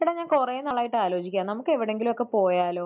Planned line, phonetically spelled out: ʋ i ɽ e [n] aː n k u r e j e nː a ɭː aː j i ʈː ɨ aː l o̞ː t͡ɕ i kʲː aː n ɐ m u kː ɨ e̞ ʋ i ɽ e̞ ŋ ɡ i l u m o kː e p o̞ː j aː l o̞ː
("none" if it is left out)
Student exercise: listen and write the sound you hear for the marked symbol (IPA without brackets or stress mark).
ɲ